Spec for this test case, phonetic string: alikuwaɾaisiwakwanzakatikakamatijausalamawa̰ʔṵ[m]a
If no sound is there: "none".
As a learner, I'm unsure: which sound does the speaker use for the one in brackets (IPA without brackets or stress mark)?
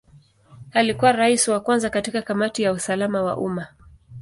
m